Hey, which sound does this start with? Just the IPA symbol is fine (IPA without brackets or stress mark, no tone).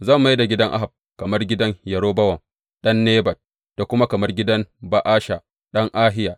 z